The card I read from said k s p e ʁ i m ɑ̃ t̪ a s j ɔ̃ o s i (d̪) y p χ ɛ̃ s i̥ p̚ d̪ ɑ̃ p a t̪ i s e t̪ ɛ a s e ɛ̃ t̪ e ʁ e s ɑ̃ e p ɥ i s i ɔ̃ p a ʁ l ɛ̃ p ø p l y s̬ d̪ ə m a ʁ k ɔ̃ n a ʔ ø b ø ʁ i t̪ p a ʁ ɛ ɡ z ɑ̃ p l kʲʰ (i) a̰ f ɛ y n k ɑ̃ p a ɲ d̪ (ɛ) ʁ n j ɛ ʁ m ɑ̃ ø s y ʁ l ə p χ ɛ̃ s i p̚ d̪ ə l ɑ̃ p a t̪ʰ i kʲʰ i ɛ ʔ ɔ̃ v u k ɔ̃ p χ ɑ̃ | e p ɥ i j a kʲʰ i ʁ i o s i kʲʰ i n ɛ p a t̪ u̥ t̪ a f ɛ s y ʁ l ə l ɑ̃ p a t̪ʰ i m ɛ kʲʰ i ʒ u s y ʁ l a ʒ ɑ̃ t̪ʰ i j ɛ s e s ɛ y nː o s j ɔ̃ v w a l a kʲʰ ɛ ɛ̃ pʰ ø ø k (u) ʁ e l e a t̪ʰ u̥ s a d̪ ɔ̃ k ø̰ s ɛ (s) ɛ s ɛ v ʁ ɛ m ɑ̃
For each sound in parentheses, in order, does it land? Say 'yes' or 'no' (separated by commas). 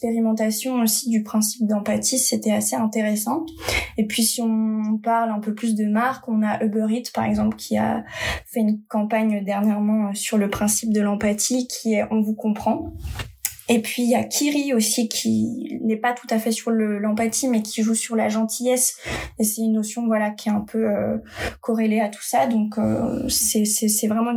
yes, yes, yes, no, yes